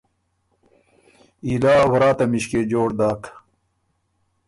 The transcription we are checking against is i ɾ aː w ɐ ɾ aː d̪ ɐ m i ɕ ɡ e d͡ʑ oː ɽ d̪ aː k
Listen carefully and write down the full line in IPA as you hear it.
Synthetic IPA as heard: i l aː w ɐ ɾ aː t̪ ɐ m i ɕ k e d͡ʑ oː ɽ d̪ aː k